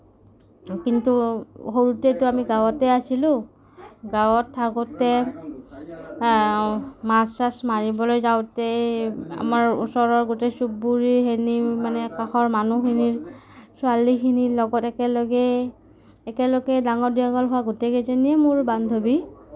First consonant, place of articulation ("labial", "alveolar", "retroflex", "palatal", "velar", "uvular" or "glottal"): velar